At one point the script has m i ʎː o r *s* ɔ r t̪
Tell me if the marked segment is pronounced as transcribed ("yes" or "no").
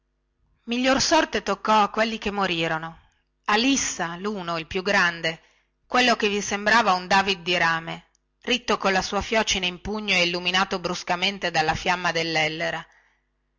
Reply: yes